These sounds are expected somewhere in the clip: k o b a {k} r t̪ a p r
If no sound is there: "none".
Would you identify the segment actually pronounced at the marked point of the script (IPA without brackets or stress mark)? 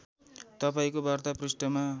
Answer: none